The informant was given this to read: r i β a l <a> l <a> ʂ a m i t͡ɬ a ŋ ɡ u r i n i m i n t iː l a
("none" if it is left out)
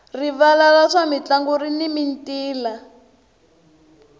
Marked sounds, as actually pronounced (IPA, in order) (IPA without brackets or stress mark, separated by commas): a, a